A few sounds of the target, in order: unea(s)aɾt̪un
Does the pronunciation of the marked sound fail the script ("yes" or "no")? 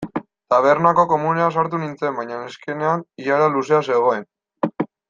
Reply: no